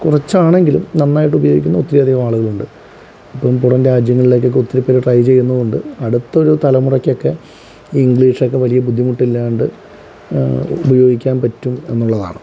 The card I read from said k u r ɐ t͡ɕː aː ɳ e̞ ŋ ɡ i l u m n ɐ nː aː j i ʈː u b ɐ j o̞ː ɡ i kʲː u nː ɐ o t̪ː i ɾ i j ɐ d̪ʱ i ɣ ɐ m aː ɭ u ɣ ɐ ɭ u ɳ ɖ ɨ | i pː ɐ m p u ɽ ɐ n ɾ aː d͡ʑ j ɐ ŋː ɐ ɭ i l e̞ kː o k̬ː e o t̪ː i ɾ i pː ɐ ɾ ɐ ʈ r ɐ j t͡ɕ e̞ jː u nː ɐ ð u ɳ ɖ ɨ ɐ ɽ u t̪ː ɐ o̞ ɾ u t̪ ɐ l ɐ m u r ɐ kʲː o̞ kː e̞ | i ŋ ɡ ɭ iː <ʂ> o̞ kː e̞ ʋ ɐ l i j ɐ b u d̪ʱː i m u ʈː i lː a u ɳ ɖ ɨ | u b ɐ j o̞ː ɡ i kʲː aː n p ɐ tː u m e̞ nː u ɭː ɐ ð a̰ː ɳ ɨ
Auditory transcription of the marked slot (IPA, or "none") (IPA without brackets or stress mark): ʂ